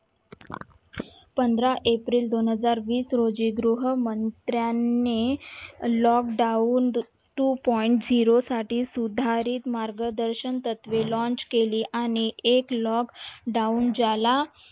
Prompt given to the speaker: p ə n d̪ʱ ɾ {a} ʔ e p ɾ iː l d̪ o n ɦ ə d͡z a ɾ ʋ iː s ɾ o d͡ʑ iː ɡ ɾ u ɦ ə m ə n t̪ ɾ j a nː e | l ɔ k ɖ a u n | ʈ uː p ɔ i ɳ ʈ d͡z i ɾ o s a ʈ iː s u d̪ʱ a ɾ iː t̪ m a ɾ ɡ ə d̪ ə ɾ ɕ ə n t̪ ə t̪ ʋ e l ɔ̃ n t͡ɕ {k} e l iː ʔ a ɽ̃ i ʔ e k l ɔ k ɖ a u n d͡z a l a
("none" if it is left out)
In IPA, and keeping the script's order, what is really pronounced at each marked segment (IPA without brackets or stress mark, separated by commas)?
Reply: a, k